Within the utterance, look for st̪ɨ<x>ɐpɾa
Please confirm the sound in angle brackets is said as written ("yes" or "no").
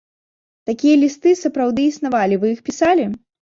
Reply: no